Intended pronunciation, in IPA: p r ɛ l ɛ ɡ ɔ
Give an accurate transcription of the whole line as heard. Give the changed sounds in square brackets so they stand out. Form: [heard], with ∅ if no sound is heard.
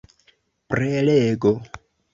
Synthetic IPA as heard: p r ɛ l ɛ ɡ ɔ

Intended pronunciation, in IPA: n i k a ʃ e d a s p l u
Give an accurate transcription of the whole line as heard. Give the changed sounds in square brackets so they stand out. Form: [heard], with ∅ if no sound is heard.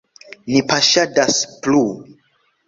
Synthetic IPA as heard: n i [p] a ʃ [a] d a s p l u

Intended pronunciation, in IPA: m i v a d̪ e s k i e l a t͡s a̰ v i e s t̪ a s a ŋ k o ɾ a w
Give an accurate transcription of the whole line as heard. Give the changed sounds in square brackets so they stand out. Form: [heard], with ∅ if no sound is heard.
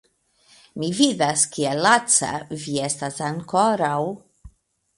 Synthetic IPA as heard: m i v [i] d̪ [a] s k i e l a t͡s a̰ v i e s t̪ a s a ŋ k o ɾ a w

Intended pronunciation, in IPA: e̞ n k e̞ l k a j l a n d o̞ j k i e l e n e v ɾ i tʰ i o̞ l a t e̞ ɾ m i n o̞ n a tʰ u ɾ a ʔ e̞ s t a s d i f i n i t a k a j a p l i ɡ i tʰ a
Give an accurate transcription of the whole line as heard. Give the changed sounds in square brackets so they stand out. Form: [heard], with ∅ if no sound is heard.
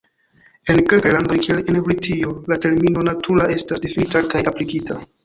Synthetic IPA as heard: e̞ n k e̞ l k a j l a n d o̞ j k i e l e n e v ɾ i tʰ i o̞ l a t e̞ ɾ m i n o̞ n a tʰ u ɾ a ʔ e̞ s t a s d i f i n i t a k a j a p l i [k] i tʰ a

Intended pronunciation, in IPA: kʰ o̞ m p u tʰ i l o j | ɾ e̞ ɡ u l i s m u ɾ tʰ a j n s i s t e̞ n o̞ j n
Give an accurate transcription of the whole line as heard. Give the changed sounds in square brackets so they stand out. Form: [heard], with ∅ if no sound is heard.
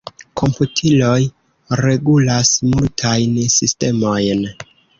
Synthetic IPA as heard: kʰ o̞ m p u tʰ i l o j | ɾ e̞ ɡ u l [a] s m u [l] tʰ a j n s i s t e̞ [m] o̞ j n

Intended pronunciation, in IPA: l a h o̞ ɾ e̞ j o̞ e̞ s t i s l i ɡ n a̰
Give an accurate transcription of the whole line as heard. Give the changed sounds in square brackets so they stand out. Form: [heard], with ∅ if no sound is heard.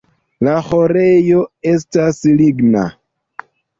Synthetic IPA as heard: l a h o̞ ɾ e̞ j o̞ e̞ s t [a] s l i ɡ n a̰

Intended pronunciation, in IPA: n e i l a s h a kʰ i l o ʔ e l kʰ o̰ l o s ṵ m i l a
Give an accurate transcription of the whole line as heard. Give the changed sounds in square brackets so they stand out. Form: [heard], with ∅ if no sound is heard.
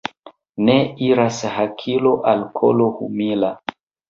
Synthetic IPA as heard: n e i [ɾ] a s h a kʰ i l o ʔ [a] l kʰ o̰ l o [h] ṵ m i l a

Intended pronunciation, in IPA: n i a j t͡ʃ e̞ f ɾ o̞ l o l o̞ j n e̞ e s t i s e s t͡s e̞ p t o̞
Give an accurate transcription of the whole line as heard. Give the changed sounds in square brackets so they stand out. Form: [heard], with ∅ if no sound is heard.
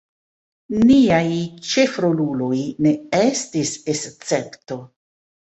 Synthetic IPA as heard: n i a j t͡ʃ e̞ f ɾ o̞ l [u] l o̞ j n e̞ e s t i s e s t͡s e̞ p t o̞

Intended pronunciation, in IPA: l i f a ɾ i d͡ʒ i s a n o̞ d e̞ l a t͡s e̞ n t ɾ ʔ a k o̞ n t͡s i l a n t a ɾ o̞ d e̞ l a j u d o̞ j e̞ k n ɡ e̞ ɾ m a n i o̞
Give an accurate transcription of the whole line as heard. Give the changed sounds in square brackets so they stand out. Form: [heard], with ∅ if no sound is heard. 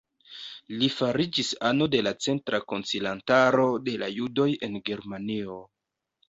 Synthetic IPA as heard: l i f a ɾ i d͡ʒ i s a n o̞ d e̞ l a t͡s e̞ n t ɾ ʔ a k o̞ n t͡s i l a n t a ɾ o̞ d e̞ l a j u d o̞ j e̞ [∅] n ɡ e̞ ɾ m a n i o̞

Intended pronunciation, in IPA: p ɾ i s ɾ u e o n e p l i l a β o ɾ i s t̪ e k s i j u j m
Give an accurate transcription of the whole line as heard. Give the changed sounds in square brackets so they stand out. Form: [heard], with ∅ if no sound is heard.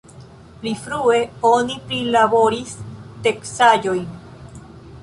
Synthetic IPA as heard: p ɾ i [f] ɾ u e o n [i] p [ɾ] i l a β o ɾ i s t̪ e k s [a] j [o] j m

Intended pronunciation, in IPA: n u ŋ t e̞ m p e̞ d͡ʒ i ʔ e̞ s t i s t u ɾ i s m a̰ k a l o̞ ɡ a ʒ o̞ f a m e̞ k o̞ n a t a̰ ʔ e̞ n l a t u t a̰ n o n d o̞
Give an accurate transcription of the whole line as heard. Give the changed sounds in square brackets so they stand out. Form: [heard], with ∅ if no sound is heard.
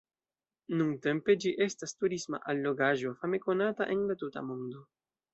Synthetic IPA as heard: n u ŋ t e̞ m p e̞ d͡ʒ i ʔ e̞ s t [a] s t u ɾ i s m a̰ [ʔ] a [lː] o̞ ɡ a ʒ o̞ f a m e̞ k o̞ n a t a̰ ʔ e̞ n l a t u t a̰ [m] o n d o̞

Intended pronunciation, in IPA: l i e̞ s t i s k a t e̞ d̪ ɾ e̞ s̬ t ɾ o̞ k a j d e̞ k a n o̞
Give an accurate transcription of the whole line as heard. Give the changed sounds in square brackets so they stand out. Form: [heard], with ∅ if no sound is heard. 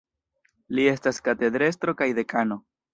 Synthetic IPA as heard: l i e̞ s t [a] s k a t e̞ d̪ ɾ e̞ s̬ t ɾ o̞ k a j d e̞ k a n o̞

